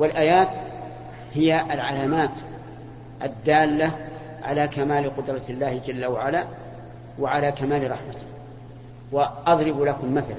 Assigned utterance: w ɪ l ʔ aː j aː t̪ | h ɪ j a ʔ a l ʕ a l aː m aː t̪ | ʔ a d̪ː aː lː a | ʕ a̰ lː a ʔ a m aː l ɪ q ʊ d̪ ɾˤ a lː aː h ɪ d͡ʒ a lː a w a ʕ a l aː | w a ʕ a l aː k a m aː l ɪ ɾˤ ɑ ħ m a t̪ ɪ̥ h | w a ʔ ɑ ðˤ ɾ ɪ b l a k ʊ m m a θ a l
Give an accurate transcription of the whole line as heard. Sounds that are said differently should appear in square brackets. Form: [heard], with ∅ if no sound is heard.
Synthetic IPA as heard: w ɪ l ʔ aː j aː t̪ | h ɪ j a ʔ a l ʕ a l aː m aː t̪ | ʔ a d̪ː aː lː a | ʕ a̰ [l] a [k] a m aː l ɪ q ʊ d̪ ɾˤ [ɑ] lː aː h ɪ d͡ʒ a lː a w a ʕ a l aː | w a ʕ a l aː k a m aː l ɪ ɾˤ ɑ ħ m a t̪ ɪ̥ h | w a ʔ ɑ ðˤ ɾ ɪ b l a k ʊ m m a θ a l